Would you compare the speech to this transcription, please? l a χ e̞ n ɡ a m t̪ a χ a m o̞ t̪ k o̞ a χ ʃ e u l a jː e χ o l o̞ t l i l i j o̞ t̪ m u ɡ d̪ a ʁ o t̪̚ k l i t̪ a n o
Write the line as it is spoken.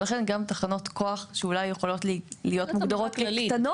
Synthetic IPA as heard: l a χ e̞ n ɡ a m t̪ a χ a n o̞ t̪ k o̞ a χ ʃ e u l a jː e χ o l o̞ t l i l i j o̞ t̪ m u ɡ d̪ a ʁ o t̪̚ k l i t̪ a n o